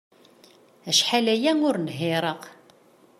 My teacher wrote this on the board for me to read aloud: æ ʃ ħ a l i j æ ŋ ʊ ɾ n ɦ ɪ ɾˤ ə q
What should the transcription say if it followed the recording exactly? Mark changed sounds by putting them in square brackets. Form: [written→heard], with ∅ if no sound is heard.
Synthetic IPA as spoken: æ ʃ ħ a l [i→æ] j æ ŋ ʊ ɾ n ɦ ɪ ɾˤ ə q

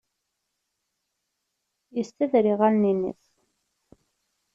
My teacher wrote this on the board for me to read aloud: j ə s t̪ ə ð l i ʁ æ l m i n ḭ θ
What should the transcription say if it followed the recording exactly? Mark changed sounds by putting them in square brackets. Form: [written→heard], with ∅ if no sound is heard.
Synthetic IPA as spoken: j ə s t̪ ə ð [l→ɾ] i ʁ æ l [m→n] i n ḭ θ

